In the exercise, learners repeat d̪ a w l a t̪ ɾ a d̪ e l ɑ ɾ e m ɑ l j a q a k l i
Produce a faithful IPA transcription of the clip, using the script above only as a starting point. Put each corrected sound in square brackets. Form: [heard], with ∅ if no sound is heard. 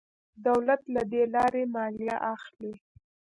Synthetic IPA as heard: d̪ a w l a t̪ [l] a d̪ e l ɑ ɾ e m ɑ l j a [ʔ] a [x] l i